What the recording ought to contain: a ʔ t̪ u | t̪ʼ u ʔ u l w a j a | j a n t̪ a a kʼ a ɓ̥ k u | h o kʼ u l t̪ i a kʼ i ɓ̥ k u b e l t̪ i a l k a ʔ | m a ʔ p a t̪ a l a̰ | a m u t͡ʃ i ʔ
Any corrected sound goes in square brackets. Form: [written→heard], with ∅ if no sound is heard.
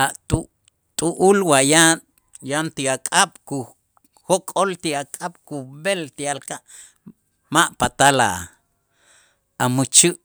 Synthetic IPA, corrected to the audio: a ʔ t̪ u | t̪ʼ u ʔ u l w a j a | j a n t̪ [a→i] a kʼ a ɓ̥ k u | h o kʼ [u→o] l t̪ i a kʼ [i→a] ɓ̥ k u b e l t̪ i a l k a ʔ | m a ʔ p a t̪ a l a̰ | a m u t͡ʃ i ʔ

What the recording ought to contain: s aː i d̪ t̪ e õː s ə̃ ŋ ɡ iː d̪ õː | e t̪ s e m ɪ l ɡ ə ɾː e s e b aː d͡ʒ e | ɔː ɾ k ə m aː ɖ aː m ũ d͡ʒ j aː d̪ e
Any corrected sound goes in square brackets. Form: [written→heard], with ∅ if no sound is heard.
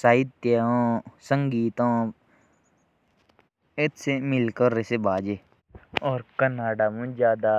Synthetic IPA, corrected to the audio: s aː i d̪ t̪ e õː s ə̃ ŋ ɡ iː [d̪→t̪] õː | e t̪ s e m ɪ l [ɡ→k] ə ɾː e s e b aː d͡ʒ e | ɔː ɾ k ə [m→n] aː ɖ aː m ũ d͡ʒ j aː d̪ [e→a]

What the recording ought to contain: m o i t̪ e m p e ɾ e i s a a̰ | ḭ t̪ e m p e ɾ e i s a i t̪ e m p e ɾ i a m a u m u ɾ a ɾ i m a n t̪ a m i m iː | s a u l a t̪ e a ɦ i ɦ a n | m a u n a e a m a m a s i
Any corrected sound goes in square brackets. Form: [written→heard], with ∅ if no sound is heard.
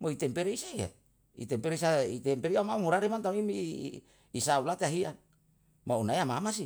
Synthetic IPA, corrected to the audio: m o i t̪ e m p e ɾ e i s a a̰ | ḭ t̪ e m p e ɾ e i s a i t̪ e m p e ɾ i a m a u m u ɾ a ɾ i m a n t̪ a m i m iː | s a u l a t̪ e a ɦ i [ɦ→∅] a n | m a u n a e a m a m a s i

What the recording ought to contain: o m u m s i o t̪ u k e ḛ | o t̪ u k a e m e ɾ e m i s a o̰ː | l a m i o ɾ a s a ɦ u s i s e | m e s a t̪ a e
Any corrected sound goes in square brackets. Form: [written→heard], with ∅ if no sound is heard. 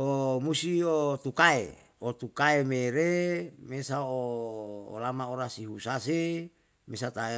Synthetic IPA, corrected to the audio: o m u [m→∅] s i o t̪ u k [e→a] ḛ | o t̪ u k a e m e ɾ e m [i→e] s a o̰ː | l a m [i→a] o ɾ a s [a→i] ɦ u s [i→a] s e | m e s a t̪ a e

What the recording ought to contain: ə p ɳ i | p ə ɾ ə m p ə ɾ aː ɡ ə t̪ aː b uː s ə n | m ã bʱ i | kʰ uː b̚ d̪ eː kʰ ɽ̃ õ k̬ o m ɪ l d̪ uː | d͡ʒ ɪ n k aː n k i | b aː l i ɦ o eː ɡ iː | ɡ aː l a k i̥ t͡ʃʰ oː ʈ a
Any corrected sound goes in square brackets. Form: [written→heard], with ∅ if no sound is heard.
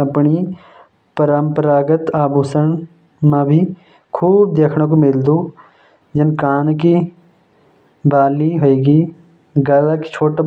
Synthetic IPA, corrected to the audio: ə p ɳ i | p ə ɾ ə m p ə ɾ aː ɡ ə t̪ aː b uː s ə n | m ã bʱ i | kʰ uː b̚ d̪ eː kʰ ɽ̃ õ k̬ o m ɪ l d̪ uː | d͡ʒ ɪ n k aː n k i | b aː l i ɦ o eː ɡ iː | ɡ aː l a k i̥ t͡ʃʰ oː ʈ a

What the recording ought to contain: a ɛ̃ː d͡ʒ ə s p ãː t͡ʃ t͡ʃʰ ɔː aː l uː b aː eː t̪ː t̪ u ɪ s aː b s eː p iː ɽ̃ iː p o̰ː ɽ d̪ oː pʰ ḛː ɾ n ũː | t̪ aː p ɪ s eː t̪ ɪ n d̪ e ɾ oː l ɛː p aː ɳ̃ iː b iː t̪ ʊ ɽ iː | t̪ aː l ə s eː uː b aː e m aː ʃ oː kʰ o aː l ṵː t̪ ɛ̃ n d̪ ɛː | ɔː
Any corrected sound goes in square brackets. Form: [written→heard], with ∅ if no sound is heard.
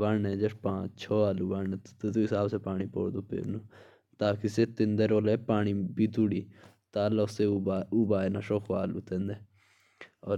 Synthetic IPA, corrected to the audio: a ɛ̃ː d͡ʒ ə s p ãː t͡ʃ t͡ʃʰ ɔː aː l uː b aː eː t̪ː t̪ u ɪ s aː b s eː p [iː→aː] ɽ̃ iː p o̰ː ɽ d̪ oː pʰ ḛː ɾ n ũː | t̪ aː [p→k] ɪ s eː t̪ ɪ n d̪ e ɾ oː l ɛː p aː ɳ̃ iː b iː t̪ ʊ ɽ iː | t̪ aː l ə s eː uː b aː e [m→n] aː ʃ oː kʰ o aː l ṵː t̪ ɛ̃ n d̪ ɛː | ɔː

